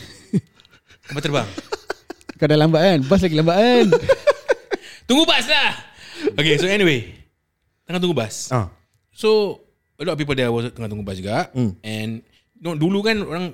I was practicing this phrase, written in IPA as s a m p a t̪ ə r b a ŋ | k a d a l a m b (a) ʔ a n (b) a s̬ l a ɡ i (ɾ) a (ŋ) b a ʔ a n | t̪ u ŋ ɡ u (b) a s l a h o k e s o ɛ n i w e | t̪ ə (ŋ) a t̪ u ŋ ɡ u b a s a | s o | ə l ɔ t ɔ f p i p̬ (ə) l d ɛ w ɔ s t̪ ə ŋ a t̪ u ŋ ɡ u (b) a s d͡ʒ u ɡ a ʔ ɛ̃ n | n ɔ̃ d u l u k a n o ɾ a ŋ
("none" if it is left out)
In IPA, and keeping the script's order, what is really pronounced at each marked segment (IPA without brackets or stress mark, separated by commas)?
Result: a, b, l, m, b, ŋ, ə, b